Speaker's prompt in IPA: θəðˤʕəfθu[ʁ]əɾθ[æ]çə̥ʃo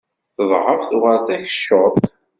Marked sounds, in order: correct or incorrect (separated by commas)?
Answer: correct, correct